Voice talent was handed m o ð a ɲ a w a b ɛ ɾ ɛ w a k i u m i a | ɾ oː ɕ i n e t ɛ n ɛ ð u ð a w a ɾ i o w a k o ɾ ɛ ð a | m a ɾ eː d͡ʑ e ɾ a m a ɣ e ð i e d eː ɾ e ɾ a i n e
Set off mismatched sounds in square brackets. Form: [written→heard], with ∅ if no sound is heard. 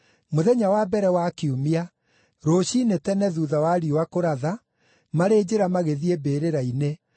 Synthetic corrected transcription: m o ð [a→ɛ] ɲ a w a b ɛ ɾ ɛ w a k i u m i a | ɾ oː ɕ i n e t ɛ n ɛ ð u ð a w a ɾ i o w a k o ɾ [ɛ→a] ð a | m a ɾ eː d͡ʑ e ɾ a m a ɣ e ð i e [d→b] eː ɾ e ɾ a i n e